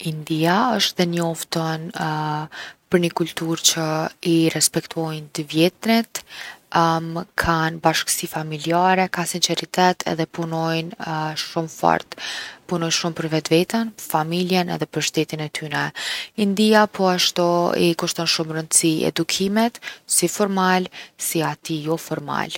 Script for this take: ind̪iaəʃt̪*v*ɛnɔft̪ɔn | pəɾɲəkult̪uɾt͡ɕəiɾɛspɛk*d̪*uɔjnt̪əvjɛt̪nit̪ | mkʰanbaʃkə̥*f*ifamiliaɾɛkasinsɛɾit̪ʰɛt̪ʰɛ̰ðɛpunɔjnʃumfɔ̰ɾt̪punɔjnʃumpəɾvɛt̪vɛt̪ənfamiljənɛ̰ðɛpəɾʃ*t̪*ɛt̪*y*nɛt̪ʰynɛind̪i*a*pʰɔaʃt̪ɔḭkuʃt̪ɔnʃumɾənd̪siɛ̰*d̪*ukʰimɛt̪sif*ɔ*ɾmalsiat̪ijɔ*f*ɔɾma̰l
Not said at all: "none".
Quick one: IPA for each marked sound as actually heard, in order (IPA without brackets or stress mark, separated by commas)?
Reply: ð, t̪, s, t̪, i, a, d̪, ɔ, f